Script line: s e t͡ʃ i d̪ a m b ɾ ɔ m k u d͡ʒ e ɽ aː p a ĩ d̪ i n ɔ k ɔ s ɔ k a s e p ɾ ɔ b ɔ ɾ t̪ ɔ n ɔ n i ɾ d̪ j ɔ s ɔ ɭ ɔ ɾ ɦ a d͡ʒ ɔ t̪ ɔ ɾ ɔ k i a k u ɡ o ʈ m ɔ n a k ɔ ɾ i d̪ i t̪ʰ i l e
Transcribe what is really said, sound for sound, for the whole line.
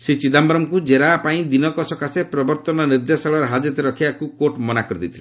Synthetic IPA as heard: s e t͡ʃ i d̪ a m b ɾ ɔ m k u d͡ʒ e ɾ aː p a ĩ d̪ i n ɔ k ɔ s ɔ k a s e p ɾ ɔ b ɔ ɾ t̪ ɔ n ɔ n i ɾ d̪ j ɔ s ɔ ɭ ɔ ɾ ɦ a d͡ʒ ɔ t̪ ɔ ɾ ɔ kʰ i a k u k o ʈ m ɔ n a k ɔ ɾ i d̪ i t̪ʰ i l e